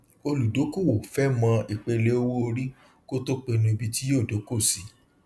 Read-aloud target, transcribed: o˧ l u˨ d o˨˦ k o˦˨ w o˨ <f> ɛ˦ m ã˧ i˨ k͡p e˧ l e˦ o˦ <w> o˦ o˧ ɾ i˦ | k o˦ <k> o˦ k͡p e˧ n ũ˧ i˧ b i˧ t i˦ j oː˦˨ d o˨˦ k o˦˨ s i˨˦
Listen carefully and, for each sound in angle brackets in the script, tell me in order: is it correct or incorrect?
correct, correct, incorrect

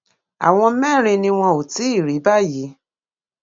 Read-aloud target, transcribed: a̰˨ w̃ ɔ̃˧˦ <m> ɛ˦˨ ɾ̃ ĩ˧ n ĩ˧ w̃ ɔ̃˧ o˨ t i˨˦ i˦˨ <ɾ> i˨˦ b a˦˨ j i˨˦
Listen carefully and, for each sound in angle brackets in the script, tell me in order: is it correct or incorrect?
correct, correct

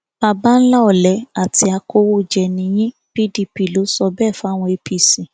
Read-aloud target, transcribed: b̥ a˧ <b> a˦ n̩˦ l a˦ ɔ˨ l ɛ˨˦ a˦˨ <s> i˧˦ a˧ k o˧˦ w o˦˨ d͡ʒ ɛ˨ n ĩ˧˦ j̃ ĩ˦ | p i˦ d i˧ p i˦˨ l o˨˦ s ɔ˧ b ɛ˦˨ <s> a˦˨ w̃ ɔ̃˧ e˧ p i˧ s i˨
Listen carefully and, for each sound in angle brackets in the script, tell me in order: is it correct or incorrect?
correct, incorrect, incorrect

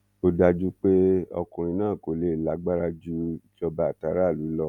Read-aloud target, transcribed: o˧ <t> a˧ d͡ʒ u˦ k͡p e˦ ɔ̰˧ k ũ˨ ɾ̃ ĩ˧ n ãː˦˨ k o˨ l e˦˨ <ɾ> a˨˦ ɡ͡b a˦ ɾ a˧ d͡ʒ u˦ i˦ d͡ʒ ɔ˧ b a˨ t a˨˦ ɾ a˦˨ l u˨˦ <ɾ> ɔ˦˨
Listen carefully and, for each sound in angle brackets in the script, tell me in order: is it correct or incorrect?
incorrect, incorrect, incorrect

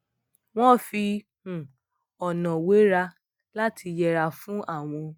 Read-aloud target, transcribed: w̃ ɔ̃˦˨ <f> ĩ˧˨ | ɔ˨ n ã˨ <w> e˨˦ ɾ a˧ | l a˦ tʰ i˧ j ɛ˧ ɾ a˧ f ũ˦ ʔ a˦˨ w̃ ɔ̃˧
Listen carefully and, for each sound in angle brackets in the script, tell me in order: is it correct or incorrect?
correct, correct

